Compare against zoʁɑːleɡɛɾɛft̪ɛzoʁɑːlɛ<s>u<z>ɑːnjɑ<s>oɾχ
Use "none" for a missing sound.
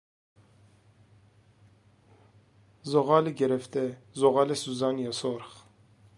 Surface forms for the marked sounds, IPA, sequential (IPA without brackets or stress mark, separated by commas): s, z, s